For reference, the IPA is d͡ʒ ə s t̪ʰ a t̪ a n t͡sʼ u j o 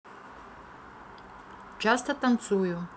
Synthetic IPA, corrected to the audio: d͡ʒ a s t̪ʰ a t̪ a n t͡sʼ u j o